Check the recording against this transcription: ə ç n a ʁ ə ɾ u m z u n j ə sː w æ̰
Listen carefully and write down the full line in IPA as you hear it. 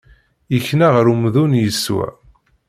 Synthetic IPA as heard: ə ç n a ʁ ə ɾ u m ð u n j ə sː w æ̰